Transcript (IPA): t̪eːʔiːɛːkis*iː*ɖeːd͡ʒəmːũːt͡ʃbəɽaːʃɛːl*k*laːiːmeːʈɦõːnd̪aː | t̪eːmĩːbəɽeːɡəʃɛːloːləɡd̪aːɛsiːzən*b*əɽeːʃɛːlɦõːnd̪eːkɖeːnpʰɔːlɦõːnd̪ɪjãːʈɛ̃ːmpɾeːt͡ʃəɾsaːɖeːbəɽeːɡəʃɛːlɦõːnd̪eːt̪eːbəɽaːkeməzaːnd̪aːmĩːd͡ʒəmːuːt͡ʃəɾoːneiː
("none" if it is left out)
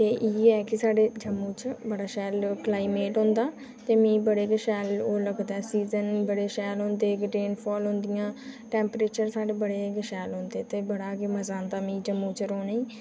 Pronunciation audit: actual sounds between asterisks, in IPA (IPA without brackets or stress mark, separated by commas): aː, k, b